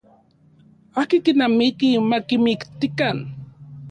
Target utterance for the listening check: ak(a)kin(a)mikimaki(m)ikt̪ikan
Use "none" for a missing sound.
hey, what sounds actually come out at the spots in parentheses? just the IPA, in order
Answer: i, a, m

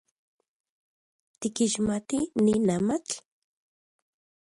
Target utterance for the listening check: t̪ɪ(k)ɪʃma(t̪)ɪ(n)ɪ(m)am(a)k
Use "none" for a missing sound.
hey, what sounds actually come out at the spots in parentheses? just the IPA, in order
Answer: k, t̪, n, n, a

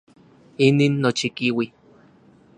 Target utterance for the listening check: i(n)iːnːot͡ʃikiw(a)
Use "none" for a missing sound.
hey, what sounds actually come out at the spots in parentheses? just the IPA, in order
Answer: n, i

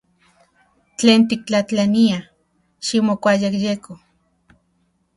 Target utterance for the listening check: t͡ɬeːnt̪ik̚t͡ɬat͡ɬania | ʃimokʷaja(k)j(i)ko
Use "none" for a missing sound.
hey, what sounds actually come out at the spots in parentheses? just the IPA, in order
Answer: k, e

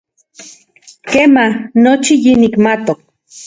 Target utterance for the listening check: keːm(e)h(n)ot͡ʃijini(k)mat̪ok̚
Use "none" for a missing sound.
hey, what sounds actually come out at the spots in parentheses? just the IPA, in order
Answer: a, n, k

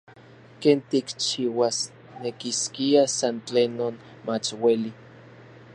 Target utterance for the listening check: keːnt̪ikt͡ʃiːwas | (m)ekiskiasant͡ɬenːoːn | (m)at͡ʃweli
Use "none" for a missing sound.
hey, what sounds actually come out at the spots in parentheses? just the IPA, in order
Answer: n, m

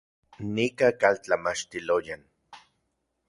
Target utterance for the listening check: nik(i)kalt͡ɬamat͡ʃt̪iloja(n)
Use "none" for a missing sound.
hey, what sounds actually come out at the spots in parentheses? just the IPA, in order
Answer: a, n

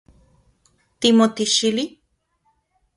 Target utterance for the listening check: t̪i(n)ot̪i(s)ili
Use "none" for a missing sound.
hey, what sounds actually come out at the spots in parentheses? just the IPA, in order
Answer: m, ʃ

